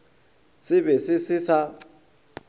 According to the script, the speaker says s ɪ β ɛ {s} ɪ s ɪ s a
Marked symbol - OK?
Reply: yes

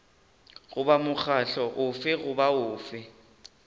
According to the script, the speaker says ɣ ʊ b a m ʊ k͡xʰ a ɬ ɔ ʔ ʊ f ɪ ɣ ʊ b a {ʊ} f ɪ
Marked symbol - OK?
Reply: no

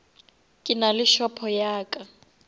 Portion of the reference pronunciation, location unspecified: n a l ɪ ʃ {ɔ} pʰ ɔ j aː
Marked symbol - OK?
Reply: yes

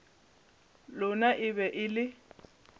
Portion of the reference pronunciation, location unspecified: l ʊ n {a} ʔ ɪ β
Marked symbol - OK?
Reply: yes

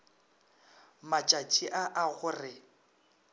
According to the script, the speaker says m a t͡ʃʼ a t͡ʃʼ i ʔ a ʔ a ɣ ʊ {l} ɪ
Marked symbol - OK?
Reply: no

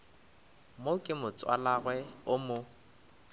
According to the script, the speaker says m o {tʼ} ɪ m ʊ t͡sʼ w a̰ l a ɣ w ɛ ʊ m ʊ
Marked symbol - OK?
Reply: no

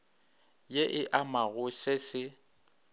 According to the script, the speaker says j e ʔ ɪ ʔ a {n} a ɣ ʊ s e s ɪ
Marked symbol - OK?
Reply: no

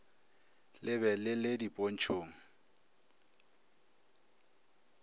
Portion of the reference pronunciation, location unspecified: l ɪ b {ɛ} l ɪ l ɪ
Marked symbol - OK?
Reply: yes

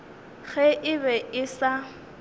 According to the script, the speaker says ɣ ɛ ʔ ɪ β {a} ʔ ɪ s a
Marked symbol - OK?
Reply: no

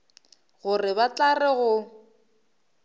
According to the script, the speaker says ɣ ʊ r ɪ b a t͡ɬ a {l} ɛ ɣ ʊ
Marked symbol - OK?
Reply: no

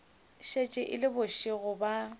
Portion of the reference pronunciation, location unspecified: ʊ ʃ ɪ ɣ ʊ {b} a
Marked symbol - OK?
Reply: yes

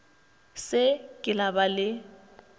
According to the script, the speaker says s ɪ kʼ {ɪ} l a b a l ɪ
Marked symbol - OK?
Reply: yes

